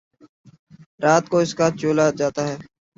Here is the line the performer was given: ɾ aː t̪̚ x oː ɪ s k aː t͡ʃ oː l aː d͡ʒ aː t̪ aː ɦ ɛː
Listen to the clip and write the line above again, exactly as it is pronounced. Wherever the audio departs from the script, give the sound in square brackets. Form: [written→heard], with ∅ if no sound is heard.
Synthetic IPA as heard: ɾ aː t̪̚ [x→k] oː ɪ s k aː t͡ʃ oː l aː d͡ʒ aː t̪ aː ɦ ɛː